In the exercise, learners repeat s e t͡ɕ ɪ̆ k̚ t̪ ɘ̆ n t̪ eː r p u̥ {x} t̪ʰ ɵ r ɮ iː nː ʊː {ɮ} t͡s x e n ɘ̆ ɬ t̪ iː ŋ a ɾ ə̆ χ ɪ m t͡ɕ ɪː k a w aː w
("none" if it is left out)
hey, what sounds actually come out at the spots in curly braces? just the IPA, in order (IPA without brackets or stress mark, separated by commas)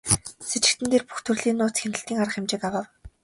x, none